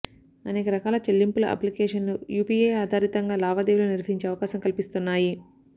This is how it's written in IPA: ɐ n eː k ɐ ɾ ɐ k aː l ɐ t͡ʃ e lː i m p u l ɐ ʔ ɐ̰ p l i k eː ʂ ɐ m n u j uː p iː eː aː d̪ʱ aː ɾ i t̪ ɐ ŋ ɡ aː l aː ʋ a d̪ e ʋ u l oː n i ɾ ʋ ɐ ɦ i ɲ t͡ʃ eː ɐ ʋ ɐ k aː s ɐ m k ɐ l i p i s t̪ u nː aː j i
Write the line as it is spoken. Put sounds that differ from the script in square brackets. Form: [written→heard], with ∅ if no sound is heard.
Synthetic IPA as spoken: ɐ n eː k ɐ ɾ ɐ k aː l ɐ t͡ʃ e lː i m p u l ɐ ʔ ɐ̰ p l i k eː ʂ ɐ [m→∅] n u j uː p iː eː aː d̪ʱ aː ɾ i t̪ ɐ ŋ ɡ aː l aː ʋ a d̪ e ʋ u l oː n i ɾ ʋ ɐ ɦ i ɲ t͡ʃ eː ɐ ʋ ɐ k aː s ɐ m k ɐ l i p i s t̪ u nː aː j i